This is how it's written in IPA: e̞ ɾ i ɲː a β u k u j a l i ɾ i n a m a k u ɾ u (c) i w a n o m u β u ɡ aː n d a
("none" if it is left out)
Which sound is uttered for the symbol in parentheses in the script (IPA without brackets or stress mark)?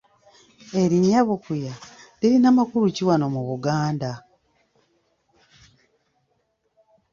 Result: c